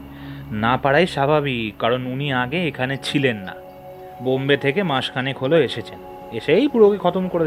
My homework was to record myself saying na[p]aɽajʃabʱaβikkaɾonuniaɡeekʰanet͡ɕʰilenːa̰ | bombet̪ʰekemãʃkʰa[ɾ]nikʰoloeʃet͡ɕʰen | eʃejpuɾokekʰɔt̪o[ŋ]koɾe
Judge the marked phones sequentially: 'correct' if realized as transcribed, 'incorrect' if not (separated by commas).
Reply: correct, incorrect, incorrect